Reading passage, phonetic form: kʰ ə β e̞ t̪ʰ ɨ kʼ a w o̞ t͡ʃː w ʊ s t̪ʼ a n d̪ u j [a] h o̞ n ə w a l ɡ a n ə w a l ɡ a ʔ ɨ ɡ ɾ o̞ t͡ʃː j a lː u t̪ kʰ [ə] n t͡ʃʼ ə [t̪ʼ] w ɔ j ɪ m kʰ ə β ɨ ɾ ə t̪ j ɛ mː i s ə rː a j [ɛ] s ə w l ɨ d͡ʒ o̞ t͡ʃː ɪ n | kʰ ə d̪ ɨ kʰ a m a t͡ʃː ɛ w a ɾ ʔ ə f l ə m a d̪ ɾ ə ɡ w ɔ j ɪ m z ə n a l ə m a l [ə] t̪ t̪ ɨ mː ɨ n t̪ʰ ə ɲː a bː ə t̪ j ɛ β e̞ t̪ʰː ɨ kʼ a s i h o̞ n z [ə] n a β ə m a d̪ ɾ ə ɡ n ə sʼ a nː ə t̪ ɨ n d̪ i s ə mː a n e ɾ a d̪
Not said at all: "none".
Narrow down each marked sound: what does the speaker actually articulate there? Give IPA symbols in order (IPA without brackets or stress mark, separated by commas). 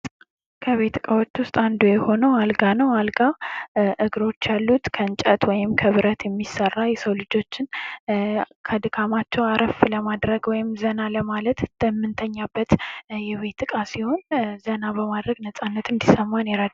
ɛ, ə, t̪, ɛ, ə, ə